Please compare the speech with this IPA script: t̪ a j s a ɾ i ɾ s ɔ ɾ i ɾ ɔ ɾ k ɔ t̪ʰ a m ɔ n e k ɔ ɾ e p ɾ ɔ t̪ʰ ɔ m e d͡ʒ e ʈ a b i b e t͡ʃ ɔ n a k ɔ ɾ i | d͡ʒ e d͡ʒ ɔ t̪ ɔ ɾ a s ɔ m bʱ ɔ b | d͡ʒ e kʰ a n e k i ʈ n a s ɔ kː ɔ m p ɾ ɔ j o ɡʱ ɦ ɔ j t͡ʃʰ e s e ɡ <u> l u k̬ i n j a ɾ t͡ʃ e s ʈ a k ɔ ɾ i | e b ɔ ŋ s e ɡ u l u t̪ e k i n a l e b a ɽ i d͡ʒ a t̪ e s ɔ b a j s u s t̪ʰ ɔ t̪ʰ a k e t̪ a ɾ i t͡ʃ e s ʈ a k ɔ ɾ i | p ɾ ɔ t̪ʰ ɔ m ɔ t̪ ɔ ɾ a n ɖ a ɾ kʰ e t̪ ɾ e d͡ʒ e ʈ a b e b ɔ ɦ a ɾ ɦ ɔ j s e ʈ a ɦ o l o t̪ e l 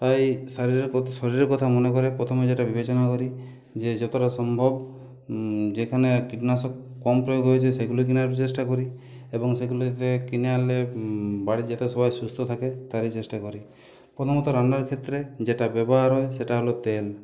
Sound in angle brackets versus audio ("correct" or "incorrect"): correct